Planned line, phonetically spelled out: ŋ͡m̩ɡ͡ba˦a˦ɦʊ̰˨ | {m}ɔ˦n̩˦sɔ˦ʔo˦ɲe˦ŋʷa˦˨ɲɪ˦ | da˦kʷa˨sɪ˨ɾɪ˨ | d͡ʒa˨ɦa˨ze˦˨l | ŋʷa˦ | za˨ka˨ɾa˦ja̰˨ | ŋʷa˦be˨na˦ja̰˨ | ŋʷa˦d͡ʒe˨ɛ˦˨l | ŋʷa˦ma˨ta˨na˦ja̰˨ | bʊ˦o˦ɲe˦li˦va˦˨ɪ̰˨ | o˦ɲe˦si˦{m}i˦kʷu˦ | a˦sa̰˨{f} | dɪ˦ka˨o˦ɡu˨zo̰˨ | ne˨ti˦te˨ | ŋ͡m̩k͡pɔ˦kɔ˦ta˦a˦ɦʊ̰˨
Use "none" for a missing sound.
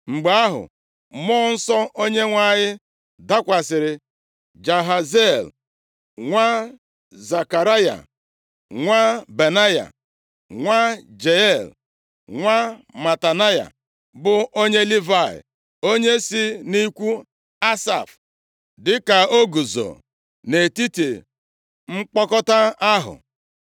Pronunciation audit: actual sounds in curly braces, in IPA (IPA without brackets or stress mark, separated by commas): m, n, f